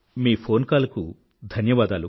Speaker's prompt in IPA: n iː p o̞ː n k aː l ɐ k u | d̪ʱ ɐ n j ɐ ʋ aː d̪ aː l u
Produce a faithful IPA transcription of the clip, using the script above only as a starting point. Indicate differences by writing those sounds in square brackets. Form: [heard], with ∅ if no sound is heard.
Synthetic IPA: [m] iː [pʰ] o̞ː n k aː l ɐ k u | d̪ʱ ɐ n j ɐ ʋ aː d̪ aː l u